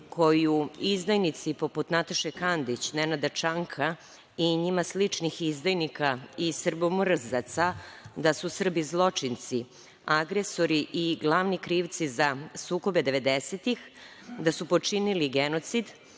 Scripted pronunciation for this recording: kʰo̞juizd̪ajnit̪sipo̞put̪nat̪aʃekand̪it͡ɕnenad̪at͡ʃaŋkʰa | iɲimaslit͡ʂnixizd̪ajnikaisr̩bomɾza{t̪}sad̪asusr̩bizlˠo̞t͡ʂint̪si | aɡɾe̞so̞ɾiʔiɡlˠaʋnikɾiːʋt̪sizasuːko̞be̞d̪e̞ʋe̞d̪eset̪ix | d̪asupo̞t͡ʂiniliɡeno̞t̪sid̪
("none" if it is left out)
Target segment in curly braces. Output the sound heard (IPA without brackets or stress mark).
t̪